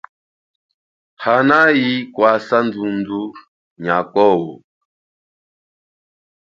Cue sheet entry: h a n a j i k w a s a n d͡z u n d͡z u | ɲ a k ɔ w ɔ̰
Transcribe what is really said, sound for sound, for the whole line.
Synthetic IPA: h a n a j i k w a s a n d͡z u n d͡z u | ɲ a k ɔ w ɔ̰